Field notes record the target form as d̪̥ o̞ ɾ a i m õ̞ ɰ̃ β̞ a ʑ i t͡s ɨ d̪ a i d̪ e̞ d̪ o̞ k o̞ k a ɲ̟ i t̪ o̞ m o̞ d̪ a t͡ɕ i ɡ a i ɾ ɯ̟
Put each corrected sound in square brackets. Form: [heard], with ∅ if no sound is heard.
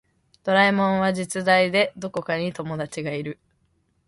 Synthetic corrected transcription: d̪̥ o̞ ɾ a i m õ̞ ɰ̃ β̞ a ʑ i t͡s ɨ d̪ a i d̪ e̞ d̪ o̞ k o̞ k a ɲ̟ i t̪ o̞ m o̞ d̪ a t͡ɕ i ɡ a i ɾ ɯ̟